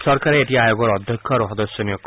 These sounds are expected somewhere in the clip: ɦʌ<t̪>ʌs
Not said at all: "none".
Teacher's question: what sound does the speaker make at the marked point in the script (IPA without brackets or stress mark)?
d̪